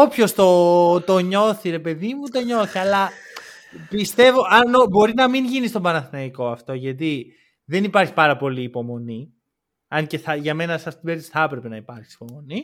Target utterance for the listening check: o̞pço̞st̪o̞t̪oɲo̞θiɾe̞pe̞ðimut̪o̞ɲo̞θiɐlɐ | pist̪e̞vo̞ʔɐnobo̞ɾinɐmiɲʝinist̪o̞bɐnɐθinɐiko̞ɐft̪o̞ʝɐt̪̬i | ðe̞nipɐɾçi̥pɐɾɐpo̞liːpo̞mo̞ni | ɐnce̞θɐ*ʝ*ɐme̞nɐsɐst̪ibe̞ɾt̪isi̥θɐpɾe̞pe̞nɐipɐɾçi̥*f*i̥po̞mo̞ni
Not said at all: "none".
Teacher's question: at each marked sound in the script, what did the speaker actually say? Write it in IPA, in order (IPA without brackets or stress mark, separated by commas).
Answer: ʝ, s